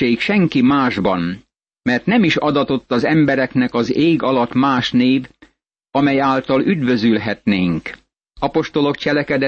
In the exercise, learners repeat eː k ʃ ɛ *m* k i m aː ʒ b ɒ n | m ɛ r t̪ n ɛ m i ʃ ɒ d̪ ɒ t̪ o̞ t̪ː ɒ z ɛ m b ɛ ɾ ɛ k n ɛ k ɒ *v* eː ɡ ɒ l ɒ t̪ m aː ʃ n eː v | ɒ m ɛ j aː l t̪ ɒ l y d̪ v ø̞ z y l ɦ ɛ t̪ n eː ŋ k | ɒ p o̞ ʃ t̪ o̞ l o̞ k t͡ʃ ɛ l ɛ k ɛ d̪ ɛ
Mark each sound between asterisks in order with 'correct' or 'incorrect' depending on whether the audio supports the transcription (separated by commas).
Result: incorrect, incorrect